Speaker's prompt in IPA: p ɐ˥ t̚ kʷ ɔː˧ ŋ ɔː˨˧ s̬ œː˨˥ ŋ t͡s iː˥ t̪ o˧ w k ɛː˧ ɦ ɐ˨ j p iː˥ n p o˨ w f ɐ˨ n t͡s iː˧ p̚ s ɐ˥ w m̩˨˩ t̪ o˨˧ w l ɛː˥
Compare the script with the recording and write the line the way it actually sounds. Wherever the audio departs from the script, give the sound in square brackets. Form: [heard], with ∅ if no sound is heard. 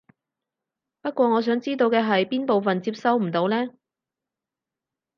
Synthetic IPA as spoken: p ɐ˥ t̚ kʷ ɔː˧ ŋ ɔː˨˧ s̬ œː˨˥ ŋ t͡s iː˥ t̪ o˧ w k ɛː˧ ɦ ɐ˨ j p iː˥ n p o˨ w f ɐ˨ n t͡s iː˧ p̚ s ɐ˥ w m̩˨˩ t̪ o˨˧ w l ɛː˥

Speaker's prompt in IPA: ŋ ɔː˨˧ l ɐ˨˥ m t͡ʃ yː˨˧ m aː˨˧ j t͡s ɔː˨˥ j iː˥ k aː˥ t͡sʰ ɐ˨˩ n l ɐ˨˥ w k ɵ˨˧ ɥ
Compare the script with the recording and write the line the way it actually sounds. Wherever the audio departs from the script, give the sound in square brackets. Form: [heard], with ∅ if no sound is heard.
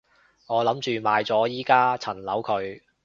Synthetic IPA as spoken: ŋ ɔː˨˧ l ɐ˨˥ m t͡ʃ yː˨˧ m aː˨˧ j t͡s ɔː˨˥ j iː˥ k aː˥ t͡sʰ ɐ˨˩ n l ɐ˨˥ w [kʰ] ɵ˨˧ ɥ

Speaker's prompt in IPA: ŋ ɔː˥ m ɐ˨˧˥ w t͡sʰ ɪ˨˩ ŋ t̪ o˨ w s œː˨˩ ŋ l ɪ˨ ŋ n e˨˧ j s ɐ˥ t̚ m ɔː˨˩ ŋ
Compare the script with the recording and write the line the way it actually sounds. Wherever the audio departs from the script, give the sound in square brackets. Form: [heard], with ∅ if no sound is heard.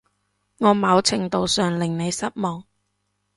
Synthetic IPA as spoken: ŋ [ɔː˨˧] m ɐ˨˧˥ w t͡sʰ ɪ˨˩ ŋ t̪ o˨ w s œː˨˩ ŋ l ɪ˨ ŋ n e˨˧ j s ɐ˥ t̚ m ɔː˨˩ ŋ

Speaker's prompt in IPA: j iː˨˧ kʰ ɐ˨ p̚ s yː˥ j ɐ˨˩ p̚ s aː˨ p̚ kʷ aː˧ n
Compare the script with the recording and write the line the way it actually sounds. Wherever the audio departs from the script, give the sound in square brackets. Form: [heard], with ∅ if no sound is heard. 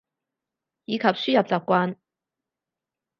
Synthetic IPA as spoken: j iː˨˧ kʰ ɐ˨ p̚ s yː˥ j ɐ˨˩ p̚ [t͡s] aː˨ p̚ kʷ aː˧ n

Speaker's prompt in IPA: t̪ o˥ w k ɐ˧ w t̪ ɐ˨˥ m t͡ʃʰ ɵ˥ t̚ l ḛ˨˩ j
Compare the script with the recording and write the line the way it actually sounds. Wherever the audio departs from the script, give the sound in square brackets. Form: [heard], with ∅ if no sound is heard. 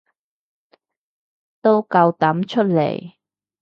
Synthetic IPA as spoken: t̪ o˥ w k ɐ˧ w t̪ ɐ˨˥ m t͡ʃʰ ɵ˥ t̚ l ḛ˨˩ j

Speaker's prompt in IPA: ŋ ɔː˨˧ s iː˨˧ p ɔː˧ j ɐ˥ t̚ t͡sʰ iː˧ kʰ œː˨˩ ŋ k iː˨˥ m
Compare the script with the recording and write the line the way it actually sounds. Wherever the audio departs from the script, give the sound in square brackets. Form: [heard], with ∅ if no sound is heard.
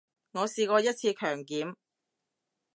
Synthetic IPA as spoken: ŋ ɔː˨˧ s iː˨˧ [k] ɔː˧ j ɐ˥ t̚ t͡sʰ iː˧ kʰ œː˨˩ ŋ k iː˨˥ m

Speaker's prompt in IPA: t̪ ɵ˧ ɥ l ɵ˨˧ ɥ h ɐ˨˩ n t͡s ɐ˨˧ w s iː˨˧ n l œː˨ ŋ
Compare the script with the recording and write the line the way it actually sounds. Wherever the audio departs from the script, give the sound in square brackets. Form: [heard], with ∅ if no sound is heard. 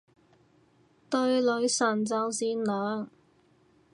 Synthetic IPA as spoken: t̪ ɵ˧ ɥ l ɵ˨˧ ɥ [s] ɐ˨˩ n t͡s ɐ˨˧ w s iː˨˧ n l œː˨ ŋ

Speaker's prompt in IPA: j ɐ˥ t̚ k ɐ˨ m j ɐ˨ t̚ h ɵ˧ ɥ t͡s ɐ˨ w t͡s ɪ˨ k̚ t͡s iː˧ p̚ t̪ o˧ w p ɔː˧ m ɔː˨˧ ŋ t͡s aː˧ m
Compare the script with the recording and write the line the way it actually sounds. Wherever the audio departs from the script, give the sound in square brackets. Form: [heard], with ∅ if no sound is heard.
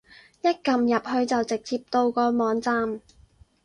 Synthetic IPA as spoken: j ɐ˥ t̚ k ɐ˨ m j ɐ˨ [p̚] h ɵ˧ ɥ t͡s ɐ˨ w t͡s ɪ˨ k̚ t͡s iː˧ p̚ t̪ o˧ w [k] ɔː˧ m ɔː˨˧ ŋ t͡s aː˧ m

